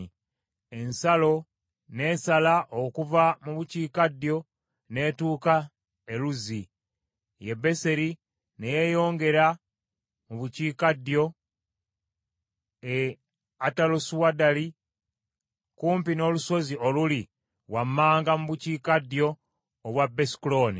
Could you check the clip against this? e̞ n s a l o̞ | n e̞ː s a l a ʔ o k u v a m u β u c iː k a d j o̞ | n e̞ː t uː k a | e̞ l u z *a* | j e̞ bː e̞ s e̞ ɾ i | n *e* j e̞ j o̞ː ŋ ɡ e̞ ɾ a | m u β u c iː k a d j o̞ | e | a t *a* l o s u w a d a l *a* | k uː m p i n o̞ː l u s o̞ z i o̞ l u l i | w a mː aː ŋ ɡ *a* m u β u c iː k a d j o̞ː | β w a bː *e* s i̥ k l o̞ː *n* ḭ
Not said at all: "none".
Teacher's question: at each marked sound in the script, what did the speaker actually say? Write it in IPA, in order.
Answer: i, e, a, i, a, e, n

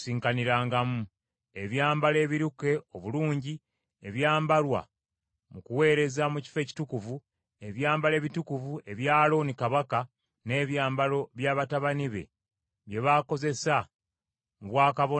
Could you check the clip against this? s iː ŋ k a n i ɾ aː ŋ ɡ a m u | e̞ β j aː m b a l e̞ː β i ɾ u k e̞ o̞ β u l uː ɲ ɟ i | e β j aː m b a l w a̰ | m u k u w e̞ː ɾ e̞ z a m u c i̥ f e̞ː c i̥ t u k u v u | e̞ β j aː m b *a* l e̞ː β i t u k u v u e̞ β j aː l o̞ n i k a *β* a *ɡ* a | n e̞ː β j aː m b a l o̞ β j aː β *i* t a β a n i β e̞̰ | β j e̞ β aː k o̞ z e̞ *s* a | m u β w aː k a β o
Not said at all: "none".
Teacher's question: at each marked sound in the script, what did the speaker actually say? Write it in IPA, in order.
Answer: a, β, k, a, s

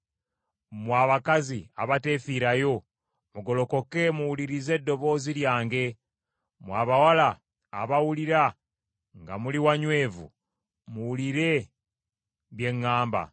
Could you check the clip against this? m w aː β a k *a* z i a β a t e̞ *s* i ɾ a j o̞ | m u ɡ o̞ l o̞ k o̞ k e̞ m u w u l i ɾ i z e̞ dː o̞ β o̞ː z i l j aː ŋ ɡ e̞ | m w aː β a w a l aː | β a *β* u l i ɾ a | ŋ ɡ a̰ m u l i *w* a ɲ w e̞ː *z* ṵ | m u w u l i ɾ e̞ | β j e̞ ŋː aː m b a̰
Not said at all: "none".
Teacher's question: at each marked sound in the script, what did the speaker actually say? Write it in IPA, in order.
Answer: a, f, w, w, v

